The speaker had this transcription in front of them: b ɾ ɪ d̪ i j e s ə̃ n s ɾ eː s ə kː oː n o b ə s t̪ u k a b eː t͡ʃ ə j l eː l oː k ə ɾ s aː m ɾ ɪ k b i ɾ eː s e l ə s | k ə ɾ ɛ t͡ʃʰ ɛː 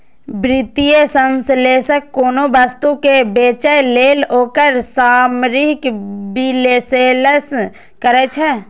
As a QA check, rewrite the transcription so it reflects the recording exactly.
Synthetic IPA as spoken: b ɾ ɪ t̪ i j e s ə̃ n s l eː s ə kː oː n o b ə s t̪ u k e b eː t͡ʃ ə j l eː l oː k ə ɾ s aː m ɾ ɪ k b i l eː s e l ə s | k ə ɾ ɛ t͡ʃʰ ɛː